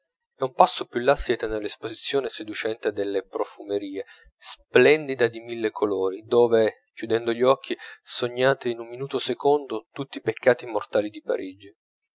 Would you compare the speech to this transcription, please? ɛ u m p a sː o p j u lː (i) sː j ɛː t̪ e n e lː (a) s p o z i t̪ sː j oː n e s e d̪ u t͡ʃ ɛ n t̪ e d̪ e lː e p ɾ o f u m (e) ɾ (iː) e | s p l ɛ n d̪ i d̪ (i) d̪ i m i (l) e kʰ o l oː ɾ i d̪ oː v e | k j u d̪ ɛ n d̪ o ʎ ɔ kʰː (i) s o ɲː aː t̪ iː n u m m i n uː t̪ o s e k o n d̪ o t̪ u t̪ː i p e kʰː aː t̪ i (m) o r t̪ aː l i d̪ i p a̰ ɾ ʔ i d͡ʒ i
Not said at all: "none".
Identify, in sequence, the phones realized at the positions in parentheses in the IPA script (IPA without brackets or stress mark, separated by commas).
a, e, e, iː, a, lː, i, m